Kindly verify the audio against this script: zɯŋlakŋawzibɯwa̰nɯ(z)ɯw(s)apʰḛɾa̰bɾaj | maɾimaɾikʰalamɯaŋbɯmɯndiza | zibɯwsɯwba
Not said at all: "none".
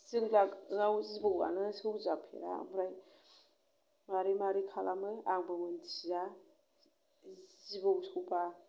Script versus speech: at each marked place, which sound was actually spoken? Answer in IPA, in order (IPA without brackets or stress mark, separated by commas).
s, z